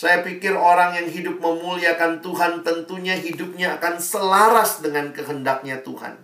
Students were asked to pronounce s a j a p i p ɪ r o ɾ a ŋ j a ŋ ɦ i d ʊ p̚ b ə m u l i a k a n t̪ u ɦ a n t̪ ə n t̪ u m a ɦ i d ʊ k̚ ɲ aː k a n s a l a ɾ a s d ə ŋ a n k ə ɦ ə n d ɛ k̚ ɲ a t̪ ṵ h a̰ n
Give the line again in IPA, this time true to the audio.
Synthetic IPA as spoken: s a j a p i k ɪ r o ɾ a ŋ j a ŋ ɦ i d ʊ p̚ m ə m u l i a k a n t̪ u ɦ a n t̪ ə n t̪ u ɲ a ɦ i d ʊ p̚ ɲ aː k a n s ə l a ɾ a s d ə ŋ a n k ə ɦ ə n d a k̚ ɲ a t̪ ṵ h a̰ n